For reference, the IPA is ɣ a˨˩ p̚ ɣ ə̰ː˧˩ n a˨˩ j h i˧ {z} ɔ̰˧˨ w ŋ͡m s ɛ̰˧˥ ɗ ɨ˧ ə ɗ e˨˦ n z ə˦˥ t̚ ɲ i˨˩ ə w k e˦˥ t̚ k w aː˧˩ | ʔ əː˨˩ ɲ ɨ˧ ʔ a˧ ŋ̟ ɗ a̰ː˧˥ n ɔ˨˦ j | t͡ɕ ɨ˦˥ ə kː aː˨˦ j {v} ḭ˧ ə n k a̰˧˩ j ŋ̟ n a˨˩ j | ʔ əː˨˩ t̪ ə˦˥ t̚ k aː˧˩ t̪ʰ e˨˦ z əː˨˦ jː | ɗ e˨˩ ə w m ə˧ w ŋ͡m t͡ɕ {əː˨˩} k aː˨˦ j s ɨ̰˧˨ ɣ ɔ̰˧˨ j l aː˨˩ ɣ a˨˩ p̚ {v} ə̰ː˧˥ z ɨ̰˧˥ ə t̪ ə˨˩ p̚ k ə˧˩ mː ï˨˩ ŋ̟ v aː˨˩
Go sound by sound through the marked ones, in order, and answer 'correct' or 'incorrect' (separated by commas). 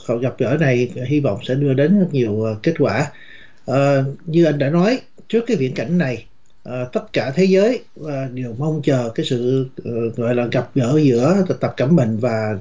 incorrect, correct, correct, incorrect